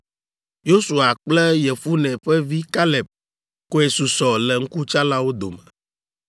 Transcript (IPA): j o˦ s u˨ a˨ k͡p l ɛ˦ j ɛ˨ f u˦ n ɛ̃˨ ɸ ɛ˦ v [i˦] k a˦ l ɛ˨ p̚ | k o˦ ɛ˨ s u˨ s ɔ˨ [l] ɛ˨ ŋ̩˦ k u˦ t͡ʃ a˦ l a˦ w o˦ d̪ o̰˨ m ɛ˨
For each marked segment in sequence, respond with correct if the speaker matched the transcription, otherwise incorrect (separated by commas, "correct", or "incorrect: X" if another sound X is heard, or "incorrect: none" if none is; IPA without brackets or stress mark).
correct, correct